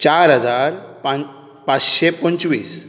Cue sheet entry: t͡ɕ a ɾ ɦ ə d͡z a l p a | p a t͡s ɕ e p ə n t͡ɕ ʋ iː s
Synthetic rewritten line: t͡ɕ a ɾ ɦ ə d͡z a ɾ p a | p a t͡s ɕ e p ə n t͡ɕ ʋ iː s